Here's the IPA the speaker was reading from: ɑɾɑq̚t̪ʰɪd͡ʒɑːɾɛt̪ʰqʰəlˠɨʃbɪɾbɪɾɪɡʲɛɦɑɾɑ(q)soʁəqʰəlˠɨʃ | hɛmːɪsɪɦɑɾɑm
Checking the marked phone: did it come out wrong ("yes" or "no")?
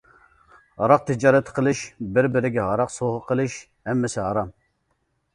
no